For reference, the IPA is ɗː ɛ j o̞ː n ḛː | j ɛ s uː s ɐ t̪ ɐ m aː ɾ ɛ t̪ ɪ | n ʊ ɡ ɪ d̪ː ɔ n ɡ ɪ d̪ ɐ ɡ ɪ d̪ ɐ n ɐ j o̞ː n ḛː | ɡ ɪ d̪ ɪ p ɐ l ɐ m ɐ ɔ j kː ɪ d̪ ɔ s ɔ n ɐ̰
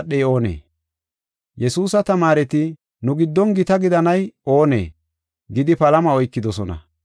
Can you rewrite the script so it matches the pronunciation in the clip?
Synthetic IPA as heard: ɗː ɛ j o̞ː n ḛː | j ɛ s uː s ɐ t̪ ɐ m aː ɾ ɛ t̪ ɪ | n ʊ ɡ ɪ d̪ː ɔ n ɡ ɪ t̪ ɐ ɡ ɪ d̪ ɐ n ɐ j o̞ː n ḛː | ɡ ɪ d̪ ɪ p ɐ l ɐ m ɐ ɔ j kː ɪ d̪ ɔ s ɔ n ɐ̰